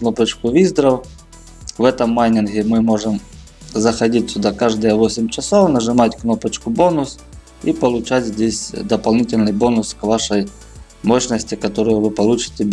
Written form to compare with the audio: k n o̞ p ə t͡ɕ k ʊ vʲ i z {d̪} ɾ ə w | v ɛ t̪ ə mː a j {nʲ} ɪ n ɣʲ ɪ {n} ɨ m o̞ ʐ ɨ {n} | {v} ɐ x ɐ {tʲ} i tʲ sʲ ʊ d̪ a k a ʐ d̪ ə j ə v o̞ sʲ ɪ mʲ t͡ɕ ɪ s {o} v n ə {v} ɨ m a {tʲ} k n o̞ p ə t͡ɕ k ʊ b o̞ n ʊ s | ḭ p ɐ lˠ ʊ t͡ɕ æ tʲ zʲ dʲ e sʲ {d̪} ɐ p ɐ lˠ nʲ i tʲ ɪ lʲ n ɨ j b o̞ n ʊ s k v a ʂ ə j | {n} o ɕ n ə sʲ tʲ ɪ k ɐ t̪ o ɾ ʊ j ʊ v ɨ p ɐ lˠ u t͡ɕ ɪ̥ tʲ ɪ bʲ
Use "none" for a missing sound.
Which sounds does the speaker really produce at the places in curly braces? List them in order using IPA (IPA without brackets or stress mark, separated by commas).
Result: d̪, nʲ, m, m, z, dʲ, o, ʐ, tʲ, d̪, m